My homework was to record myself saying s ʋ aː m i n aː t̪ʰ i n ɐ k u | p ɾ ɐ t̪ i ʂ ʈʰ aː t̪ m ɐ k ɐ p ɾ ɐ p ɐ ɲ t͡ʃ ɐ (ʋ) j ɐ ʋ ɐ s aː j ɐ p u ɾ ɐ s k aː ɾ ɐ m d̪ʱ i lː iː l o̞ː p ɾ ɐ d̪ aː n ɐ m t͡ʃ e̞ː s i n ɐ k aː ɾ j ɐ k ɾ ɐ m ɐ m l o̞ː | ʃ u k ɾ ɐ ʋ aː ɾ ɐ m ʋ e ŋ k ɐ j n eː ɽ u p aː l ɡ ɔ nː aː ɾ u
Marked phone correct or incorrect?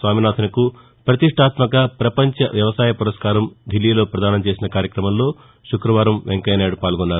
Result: correct